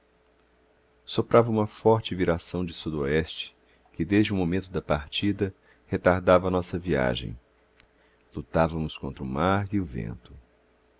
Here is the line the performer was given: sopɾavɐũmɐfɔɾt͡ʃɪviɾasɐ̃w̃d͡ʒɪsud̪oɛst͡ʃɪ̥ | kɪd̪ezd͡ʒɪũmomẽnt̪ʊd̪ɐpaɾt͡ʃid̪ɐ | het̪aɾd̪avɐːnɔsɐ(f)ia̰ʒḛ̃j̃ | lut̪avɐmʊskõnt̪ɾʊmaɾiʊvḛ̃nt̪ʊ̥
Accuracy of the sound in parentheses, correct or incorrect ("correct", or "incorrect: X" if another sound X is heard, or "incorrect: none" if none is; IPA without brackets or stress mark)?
incorrect: v